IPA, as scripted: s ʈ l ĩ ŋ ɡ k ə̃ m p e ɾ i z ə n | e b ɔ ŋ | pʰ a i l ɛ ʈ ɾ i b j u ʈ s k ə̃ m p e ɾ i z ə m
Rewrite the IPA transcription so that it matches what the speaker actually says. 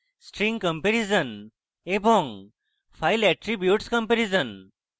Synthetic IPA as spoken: s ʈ ɾ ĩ ŋ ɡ k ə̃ m p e ɾ i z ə n | e b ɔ ŋ | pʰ a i l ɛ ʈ ɾ i b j u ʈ s k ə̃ m p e ɾ i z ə n